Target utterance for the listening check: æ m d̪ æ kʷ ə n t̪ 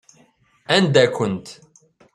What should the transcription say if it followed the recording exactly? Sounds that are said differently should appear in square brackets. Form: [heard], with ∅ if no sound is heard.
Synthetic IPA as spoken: æ [n] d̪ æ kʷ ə n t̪